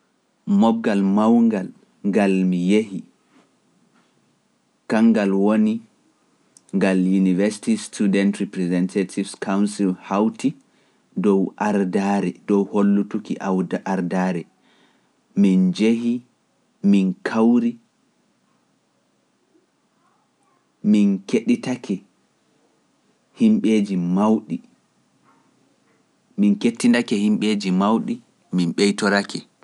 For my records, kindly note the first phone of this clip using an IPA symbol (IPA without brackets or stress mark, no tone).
m